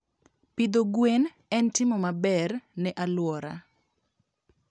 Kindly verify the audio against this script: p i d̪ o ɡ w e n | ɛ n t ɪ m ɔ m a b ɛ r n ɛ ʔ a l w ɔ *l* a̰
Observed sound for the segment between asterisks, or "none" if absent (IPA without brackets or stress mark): ɾ